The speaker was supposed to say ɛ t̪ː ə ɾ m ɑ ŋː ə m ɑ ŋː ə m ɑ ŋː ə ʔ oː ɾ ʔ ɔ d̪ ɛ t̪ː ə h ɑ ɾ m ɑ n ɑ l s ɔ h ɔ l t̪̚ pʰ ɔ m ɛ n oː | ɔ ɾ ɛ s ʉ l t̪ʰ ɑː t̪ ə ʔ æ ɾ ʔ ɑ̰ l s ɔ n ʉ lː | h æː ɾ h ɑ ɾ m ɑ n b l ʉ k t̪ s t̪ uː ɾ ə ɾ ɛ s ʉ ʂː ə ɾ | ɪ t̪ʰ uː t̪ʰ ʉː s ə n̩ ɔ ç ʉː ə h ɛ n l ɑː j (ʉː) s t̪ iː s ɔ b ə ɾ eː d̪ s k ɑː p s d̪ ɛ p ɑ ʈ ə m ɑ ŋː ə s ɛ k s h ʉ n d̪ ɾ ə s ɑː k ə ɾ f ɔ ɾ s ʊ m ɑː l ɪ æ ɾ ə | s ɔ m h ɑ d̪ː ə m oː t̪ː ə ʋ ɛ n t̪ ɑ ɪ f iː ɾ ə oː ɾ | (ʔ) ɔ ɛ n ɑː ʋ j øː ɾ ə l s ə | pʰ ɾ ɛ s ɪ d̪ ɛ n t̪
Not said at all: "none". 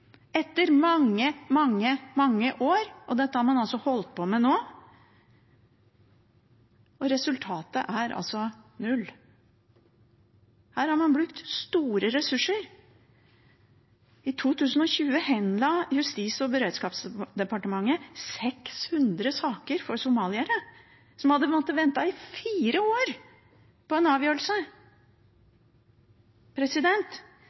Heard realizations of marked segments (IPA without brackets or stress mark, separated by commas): ʉ, p